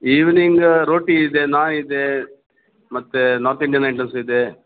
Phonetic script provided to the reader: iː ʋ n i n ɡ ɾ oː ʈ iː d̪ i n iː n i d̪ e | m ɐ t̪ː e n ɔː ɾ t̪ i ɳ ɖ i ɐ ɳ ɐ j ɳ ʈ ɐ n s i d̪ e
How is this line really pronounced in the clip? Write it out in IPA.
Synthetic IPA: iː ʋ n i ŋ ɡ ɾ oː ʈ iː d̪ e n aː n i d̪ e | m ɐ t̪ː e n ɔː ɾ t̪ i ɳ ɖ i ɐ n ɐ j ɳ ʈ ɐ n s i d̪ e